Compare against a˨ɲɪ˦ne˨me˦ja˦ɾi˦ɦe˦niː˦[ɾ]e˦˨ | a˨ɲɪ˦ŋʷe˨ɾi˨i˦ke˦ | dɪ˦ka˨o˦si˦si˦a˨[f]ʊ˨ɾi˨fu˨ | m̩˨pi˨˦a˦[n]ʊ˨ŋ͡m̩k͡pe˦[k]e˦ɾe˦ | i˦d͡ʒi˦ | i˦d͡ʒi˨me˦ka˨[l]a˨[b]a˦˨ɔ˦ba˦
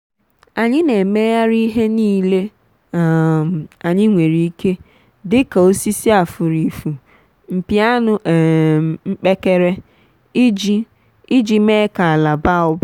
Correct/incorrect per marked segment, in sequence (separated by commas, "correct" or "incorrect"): incorrect, correct, correct, correct, correct, correct